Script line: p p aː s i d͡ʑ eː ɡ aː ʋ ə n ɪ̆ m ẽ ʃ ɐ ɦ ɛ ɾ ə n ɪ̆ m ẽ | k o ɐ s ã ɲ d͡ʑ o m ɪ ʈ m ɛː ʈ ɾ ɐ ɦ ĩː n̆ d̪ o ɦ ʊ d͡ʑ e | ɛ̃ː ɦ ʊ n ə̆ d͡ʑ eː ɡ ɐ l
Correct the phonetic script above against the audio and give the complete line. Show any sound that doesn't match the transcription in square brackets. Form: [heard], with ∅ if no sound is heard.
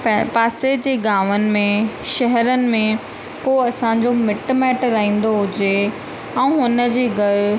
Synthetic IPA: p p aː s [e] d͡ʑ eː ɡ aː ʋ ə n ɪ̆ m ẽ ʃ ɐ ɦ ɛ ɾ ə n ɪ̆ m ẽ | k o ɐ s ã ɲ d͡ʑ o m ɪ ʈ m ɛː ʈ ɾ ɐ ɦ ĩː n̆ d̪ o ɦ ʊ d͡ʑ e | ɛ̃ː ɦ ʊ n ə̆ d͡ʑ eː ɡ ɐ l

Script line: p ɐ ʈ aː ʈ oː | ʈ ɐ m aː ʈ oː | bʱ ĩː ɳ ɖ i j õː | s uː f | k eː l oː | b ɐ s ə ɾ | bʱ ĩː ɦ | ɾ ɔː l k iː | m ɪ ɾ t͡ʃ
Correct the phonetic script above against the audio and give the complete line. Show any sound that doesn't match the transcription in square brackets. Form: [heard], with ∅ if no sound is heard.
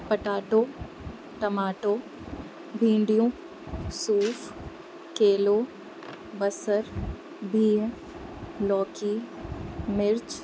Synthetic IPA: p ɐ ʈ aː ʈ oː | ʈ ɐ m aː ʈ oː | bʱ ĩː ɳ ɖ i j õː | s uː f | k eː l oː | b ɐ s ə ɾ | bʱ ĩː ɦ | [l] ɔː [∅] k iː | m ɪ ɾ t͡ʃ

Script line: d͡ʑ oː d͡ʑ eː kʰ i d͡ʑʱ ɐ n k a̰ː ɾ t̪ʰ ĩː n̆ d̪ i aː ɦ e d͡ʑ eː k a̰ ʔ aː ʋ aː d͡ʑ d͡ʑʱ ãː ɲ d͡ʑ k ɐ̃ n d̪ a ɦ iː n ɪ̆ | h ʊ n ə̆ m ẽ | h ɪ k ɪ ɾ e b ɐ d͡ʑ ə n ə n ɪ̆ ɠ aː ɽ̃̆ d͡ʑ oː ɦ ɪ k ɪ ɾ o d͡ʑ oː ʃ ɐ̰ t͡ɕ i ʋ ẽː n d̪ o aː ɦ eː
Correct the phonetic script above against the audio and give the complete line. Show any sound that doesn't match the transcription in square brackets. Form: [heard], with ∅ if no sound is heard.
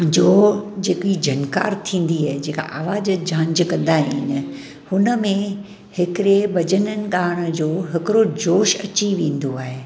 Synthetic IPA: d͡ʑ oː d͡ʑ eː [k] i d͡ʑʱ ɐ n k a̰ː ɾ t̪ʰ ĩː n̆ d̪ i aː ɦ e d͡ʑ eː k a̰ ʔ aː ʋ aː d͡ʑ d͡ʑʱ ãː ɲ d͡ʑ k ɐ̃ n d̪ a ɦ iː n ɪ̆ | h ʊ n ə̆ m ẽ | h ɪ k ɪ ɾ e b ɐ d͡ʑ ə n ə n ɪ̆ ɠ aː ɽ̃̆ d͡ʑ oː ɦ ɪ k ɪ ɾ o d͡ʑ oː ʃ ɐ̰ t͡ɕ i ʋ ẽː n d̪ o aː ɦ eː

